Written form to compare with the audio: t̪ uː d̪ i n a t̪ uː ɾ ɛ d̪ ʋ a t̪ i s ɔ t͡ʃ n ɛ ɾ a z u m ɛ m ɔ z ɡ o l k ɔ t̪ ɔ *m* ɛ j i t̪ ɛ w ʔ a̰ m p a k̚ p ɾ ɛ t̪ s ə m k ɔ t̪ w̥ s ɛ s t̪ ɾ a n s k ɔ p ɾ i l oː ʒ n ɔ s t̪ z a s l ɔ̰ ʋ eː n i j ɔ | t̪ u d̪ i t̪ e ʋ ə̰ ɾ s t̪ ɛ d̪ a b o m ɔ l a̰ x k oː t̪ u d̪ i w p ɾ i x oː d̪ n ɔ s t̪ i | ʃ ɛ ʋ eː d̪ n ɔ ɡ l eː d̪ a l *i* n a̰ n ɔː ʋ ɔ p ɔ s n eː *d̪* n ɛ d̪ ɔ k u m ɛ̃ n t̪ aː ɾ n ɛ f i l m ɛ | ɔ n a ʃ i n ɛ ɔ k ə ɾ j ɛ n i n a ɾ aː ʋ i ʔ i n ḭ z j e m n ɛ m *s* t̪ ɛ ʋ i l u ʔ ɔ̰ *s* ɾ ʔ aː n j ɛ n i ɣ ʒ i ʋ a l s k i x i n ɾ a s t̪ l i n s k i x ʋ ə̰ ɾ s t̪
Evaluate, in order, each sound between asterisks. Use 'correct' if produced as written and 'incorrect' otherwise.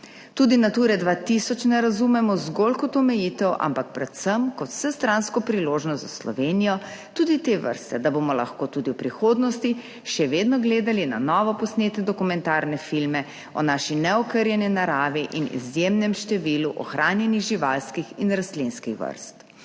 correct, correct, incorrect, incorrect, incorrect

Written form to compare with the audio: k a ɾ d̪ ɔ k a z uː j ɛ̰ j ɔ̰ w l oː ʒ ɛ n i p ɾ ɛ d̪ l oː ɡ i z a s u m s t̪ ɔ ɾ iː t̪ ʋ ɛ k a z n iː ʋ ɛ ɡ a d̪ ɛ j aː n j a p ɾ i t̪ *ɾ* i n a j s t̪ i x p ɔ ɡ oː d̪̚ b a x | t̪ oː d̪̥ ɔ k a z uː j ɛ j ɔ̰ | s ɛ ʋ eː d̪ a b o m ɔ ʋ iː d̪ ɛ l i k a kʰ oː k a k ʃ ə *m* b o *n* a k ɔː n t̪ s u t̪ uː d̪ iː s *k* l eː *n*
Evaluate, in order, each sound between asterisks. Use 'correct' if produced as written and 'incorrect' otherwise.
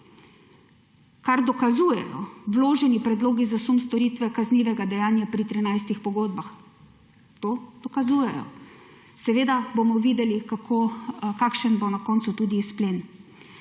correct, incorrect, correct, incorrect, correct

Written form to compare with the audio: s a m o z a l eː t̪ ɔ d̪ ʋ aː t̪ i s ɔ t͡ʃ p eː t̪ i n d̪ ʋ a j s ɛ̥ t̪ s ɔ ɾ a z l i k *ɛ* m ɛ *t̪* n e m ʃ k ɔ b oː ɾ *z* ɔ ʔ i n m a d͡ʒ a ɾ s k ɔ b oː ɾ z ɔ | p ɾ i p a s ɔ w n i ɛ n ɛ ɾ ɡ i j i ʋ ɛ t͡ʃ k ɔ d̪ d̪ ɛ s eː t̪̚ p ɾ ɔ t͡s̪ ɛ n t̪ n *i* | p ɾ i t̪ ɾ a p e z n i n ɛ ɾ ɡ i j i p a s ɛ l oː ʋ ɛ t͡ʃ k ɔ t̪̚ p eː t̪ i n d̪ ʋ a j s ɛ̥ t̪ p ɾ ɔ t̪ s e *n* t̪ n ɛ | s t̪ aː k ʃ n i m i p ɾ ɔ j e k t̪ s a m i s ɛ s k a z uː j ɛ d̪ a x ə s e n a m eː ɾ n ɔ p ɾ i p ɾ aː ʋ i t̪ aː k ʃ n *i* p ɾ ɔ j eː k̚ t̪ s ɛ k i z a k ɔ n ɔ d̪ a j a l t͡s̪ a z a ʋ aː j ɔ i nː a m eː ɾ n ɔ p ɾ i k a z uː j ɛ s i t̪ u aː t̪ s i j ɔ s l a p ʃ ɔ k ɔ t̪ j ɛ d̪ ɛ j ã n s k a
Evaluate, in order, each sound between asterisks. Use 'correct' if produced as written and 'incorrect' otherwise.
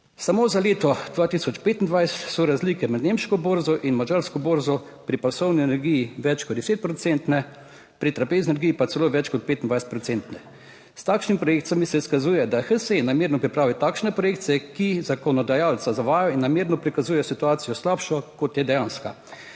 correct, incorrect, correct, incorrect, correct, incorrect

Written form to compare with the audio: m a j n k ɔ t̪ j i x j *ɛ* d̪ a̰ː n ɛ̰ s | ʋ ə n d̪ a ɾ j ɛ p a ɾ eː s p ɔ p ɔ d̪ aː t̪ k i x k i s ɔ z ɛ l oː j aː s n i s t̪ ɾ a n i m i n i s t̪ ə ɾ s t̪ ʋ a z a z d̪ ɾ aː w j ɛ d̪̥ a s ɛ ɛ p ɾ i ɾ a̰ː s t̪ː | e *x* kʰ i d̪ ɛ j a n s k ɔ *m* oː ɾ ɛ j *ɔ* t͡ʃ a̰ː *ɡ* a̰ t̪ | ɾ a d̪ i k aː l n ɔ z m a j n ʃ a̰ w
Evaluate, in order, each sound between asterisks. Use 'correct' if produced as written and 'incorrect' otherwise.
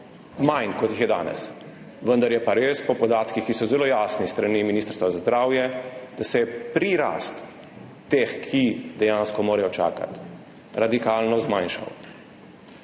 correct, correct, correct, correct, incorrect

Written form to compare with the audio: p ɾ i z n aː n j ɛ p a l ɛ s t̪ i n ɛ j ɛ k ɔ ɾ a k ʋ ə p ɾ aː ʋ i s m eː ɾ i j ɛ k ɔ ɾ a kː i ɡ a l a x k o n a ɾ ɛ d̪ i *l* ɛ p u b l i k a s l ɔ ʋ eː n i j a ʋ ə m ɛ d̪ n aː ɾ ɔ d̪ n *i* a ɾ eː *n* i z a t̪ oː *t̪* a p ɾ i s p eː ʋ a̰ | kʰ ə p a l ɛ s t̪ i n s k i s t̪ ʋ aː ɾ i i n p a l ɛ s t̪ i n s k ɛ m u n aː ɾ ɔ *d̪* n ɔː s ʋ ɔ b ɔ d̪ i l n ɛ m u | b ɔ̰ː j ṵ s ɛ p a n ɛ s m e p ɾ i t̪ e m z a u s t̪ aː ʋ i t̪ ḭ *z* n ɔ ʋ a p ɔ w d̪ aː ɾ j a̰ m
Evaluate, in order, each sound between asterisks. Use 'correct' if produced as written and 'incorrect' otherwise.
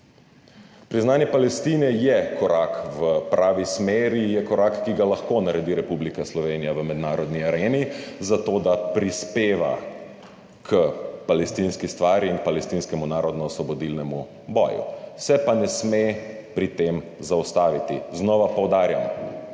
incorrect, correct, correct, incorrect, correct, correct

